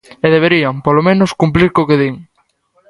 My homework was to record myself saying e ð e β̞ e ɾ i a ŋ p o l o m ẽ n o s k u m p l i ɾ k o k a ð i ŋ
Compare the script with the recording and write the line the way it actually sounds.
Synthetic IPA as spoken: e ð e β̞ e ɾ i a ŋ p o l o m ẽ n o s k u m p l i ɾ k o k e ð i ŋ